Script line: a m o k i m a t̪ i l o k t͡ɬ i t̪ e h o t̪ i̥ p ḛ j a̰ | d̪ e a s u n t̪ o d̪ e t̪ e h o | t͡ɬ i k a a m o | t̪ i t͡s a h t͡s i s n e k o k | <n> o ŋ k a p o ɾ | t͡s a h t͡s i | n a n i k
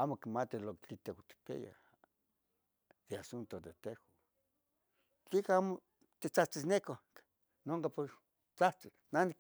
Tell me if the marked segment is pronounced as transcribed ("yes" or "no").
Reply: yes